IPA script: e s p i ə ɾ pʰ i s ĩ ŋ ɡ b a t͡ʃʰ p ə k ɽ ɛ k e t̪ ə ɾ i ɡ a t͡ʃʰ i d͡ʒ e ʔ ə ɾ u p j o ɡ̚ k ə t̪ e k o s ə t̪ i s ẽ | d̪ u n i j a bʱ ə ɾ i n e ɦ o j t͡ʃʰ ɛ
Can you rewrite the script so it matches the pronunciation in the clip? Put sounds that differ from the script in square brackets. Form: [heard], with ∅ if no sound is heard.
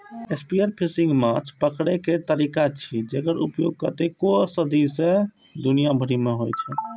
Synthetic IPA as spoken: e s p i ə ɾ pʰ i s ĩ ŋ ɡ [m] a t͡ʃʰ p ə k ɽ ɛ k e t̪ ə ɾ i [k] a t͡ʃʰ i d͡ʒ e [k] ə ɾ u p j o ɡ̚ k ə t̪ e k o s ə [d̪] i s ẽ | d̪ u n i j a bʱ ə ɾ i [m] e ɦ o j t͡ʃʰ ɛ